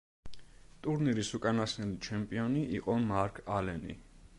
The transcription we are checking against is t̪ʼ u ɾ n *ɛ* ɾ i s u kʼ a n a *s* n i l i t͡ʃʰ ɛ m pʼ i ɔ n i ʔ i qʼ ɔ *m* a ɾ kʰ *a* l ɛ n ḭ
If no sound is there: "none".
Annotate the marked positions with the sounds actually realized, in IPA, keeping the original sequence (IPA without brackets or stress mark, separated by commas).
i, s, m, a